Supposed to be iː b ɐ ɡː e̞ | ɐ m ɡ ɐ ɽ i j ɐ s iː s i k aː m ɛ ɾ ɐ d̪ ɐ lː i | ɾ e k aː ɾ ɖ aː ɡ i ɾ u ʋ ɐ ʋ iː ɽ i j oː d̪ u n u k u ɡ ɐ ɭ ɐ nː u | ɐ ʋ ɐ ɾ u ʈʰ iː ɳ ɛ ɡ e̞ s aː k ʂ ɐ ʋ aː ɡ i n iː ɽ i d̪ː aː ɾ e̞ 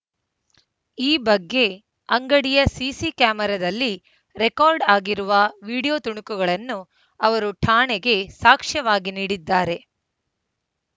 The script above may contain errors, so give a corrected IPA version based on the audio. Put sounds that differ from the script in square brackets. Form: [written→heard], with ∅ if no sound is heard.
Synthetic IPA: iː b ɐ ɡː e̞ | ɐ [m→ŋ] ɡ ɐ ɽ i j ɐ s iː s i k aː m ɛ ɾ ɐ d̪ ɐ lː i | ɾ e k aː ɾ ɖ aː ɡ i ɾ u ʋ ɐ ʋ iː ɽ i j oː [d̪→t̪] u [n→ɳ] u k u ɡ ɐ ɭ ɐ nː u | ɐ ʋ ɐ ɾ u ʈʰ [iː→aː] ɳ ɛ ɡ e̞ s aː k ʂ ɐ ʋ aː ɡ i n iː ɽ i d̪ː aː ɾ e̞